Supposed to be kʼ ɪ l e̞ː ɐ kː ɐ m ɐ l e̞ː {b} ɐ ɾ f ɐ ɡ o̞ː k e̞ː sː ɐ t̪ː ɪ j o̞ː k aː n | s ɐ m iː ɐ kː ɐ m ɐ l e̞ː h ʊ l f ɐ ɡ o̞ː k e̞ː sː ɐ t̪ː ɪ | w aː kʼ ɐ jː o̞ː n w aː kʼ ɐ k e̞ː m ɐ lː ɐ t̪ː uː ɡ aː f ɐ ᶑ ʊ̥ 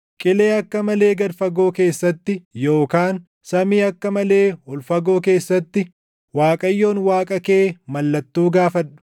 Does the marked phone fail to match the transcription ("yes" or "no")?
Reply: yes